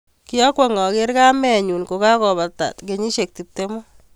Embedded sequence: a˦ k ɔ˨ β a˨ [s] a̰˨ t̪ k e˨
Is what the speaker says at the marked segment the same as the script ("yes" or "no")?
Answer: no